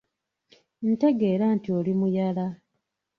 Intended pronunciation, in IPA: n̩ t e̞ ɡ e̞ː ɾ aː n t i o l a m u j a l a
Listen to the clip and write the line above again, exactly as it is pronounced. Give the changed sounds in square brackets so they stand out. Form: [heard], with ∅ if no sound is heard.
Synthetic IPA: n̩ t e̞ ɡ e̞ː ɾ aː n t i o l [i] m u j a l a

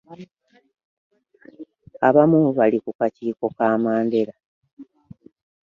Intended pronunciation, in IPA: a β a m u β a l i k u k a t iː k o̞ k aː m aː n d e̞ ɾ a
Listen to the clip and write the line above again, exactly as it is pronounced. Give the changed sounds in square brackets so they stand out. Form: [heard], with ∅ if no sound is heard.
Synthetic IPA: a β a m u β a l i k u k a [c] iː k o̞ k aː m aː n d e̞ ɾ a

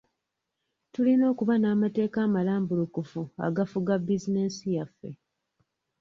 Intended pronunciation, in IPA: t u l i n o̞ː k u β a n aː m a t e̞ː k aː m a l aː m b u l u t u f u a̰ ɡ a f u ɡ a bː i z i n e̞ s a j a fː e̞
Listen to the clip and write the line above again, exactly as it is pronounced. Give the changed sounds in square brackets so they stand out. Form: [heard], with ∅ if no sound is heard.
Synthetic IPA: t u l i n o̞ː k u β a n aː m a t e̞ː k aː m a l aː m b u l u [k] u f u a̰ ɡ a f u ɡ a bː i z i n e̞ s [i] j a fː e̞

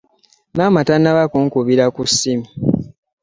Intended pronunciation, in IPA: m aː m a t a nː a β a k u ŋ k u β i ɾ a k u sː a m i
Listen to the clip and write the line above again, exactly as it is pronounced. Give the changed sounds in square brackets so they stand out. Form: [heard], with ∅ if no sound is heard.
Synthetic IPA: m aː m a t a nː a β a k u ŋ k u β i ɾ a k u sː [i] m i

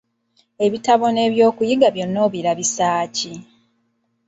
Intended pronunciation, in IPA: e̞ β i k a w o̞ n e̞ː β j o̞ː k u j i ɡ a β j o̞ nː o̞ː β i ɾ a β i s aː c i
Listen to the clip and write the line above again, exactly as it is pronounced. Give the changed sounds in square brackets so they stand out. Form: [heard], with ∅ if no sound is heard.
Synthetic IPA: e̞ β i [t] a [β] o̞ n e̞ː β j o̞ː k u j i ɡ a β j o̞ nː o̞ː β i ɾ a β i s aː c i

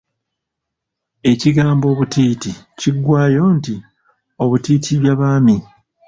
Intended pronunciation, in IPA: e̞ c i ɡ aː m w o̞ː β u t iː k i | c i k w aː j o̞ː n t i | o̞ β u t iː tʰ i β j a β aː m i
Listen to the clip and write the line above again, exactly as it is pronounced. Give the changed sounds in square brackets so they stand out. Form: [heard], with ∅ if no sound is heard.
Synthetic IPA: e̞ c i ɡ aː m [b] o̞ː β u t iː [t] i | c i [ɡ] w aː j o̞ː n t i | o̞ β u t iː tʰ i β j a β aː m i

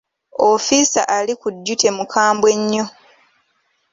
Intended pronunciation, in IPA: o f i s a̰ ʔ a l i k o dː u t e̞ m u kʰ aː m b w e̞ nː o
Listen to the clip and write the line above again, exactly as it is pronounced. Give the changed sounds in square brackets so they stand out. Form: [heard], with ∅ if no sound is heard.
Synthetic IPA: o f i s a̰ ʔ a l i k [u] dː u t e̞ m u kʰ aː m b w e̞ [ɲː] o

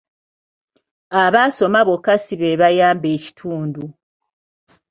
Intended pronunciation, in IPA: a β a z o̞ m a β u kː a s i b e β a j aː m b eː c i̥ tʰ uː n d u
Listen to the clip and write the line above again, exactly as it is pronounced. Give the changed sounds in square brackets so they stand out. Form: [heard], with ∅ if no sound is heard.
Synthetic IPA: a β a [s] o̞ m a β [o] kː a s i [β] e β a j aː m b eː c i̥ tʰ uː n d u

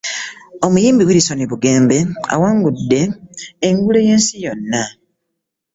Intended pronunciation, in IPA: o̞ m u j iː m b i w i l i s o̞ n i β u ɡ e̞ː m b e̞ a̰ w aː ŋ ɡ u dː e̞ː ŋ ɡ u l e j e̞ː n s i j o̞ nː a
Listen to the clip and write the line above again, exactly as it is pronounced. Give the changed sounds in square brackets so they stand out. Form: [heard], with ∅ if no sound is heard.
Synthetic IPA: o̞ m u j iː m b i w i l i s o̞ n i β u ɡ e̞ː m b e̞ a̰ w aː ŋ ɡ u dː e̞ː ŋ ɡ u l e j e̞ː n s i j o̞ nː a

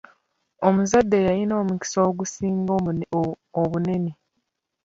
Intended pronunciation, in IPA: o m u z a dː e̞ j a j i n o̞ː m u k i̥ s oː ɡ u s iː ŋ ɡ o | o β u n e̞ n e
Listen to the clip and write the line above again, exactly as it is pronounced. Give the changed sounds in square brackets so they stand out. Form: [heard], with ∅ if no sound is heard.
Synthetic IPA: o m u z a dː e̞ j a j i n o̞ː m u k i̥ s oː ɡ u s iː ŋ ɡ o | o β u n e̞ n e

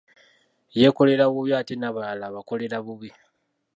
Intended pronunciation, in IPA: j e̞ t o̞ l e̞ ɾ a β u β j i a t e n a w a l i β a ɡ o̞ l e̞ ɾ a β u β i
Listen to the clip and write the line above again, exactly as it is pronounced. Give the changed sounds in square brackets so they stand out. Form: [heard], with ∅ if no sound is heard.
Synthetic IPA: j e̞ [k] o̞ l e̞ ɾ a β u β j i a t e n a [β] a l [a] β a [k] o̞ l e̞ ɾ a β u β i

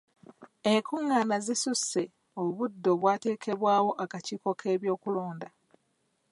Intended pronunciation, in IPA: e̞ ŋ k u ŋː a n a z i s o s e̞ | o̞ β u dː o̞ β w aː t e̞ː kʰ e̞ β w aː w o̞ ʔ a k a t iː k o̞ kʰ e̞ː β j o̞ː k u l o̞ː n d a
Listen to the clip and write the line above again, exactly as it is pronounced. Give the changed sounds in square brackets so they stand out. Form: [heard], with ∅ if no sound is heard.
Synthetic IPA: e̞ ŋ k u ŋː a n a z i s [u] s e̞ | o̞ β u dː o̞ β w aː t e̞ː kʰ e̞ β w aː w o̞ ʔ a k a [c] iː k o̞ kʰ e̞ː β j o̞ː k u l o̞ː n d a

